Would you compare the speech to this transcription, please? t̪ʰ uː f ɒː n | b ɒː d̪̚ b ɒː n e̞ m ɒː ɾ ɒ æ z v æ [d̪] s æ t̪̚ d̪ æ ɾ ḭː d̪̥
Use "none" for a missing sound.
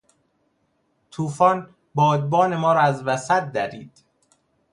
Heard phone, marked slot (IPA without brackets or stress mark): none